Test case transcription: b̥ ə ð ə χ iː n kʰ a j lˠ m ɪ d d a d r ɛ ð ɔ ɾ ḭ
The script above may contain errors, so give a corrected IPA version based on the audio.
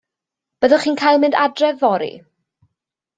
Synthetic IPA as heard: b̥ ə ð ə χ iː n kʰ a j lˠ m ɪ n d a d r ɛ v ɔ ɾ ḭ